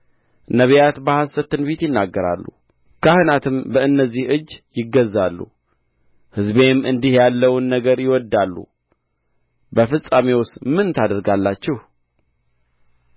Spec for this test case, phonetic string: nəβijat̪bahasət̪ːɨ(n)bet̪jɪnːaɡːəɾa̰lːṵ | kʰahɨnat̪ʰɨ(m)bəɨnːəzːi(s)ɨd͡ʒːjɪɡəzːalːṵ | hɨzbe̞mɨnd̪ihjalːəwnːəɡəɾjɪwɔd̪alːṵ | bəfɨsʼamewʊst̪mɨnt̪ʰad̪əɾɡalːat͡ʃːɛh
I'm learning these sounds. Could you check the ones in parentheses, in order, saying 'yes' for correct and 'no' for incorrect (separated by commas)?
yes, yes, no